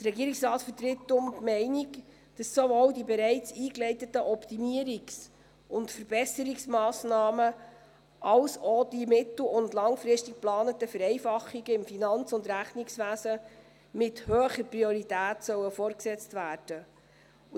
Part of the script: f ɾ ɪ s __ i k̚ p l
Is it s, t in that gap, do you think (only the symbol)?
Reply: t